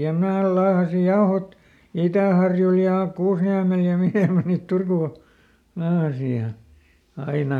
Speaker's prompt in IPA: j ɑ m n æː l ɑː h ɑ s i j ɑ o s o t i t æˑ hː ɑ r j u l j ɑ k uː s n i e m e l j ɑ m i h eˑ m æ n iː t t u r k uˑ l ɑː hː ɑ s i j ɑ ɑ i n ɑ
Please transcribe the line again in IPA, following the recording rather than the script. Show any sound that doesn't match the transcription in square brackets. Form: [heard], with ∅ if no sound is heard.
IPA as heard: j ɑ m n æː l ɑː h ɑ s i j ɑ o [h] o t i t æˑ [h] ɑ r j u l j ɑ k uː s n i [æ] m e l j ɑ m i h eˑ m æ n iː t t u r k uˑ l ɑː [h] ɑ s i j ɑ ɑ i n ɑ